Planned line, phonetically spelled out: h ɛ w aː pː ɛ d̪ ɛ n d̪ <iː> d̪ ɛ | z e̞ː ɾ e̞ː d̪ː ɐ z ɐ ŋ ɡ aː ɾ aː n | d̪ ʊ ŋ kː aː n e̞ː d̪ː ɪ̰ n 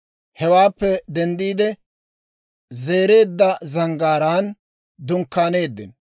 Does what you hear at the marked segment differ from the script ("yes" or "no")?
no